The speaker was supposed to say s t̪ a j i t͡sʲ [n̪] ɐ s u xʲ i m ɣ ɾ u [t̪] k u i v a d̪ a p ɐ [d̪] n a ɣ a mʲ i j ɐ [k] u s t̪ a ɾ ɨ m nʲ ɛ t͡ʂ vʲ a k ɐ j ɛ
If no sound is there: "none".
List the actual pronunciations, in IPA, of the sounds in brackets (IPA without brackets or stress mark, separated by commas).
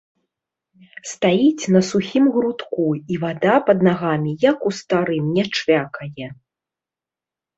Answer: n̪, t̪, d̪, k